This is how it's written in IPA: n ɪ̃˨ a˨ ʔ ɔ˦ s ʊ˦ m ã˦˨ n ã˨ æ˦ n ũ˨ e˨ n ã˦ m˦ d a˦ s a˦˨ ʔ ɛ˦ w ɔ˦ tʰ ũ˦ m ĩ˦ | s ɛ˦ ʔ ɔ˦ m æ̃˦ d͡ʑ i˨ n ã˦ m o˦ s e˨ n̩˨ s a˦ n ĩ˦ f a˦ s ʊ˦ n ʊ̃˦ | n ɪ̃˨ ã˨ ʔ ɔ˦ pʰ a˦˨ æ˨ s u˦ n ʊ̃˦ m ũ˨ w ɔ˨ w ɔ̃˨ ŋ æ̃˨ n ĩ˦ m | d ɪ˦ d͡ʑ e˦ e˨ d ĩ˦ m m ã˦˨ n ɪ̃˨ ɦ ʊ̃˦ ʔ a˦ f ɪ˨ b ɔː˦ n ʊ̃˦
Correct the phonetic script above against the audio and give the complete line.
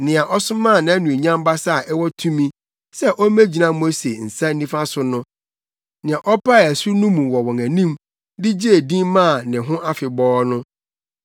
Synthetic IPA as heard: n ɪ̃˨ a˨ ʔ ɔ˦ s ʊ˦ m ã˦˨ n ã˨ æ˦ n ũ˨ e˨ ɲ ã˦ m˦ b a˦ s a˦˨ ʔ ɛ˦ w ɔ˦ tʰ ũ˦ m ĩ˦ | s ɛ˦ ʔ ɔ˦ m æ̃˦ d͡ʑ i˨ n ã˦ m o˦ s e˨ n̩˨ s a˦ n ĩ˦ f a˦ s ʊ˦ n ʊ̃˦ | n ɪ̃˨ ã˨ ʔ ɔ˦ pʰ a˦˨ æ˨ s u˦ n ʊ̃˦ m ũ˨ w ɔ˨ w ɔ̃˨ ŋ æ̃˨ n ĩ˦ m | d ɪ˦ d͡ʑ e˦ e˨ d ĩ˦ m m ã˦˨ n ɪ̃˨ ɦ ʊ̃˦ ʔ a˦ f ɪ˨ b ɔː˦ n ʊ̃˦